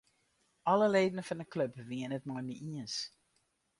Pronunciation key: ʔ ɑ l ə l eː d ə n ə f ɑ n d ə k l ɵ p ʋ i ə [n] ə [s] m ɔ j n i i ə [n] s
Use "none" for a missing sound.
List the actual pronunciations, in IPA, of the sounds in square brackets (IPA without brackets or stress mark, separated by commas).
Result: n, t, n